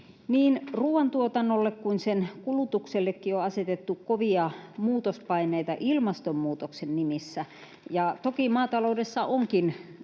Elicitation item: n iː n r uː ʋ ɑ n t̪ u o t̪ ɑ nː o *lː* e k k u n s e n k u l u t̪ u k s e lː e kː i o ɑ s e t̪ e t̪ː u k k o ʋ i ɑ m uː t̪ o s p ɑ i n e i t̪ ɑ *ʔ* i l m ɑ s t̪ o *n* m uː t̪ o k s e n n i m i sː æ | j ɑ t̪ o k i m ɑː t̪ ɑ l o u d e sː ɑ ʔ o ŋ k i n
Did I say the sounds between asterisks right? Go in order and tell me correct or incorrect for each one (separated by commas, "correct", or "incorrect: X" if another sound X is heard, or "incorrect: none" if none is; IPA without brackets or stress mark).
correct, correct, incorrect: m